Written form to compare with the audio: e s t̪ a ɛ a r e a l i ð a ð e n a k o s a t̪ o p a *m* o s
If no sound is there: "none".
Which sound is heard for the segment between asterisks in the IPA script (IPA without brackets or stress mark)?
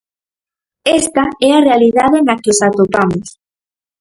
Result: m